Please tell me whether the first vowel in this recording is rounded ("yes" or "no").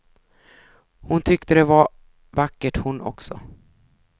yes